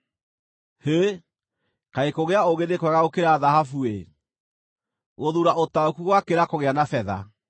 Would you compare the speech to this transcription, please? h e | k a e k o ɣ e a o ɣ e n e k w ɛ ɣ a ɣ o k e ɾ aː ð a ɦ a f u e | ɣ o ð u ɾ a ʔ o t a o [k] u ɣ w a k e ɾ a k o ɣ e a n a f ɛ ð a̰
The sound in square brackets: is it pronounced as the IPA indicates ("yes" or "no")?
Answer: yes